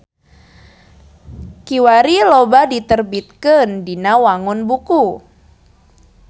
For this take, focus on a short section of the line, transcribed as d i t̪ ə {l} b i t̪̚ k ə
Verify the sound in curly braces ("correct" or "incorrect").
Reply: incorrect